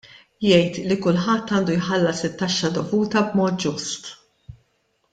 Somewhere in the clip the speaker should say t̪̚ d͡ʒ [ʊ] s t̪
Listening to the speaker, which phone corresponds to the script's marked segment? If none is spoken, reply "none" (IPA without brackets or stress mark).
ʊ